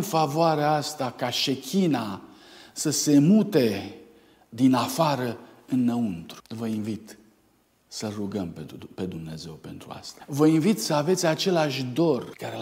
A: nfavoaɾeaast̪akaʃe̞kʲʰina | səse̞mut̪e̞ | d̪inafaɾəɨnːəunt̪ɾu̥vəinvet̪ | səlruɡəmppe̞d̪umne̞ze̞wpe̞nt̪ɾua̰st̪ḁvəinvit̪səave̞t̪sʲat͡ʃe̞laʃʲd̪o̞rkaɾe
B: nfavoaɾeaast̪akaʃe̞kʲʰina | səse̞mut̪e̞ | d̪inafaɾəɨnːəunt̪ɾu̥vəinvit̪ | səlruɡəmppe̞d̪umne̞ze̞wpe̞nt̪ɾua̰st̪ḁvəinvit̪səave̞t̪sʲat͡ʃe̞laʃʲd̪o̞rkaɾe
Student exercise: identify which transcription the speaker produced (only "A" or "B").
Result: B